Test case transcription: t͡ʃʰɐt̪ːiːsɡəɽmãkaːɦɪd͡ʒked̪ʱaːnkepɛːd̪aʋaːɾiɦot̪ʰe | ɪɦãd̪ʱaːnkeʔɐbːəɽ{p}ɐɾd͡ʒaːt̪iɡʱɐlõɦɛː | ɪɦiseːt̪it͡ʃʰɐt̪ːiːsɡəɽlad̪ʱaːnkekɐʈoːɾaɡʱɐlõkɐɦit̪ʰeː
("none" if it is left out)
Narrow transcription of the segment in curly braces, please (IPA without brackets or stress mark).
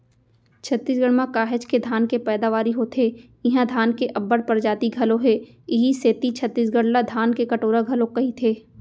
p